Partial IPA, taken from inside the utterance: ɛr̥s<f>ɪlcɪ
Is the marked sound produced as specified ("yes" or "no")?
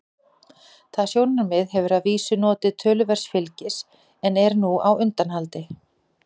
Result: yes